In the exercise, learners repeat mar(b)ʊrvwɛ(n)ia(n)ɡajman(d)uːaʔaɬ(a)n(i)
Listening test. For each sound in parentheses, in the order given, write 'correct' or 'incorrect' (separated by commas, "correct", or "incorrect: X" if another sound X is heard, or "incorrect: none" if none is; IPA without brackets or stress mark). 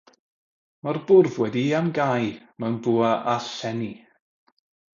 correct, incorrect: d, incorrect: m, incorrect: b, incorrect: ɛ, correct